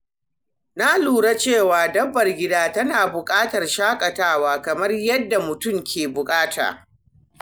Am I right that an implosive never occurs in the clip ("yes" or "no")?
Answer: yes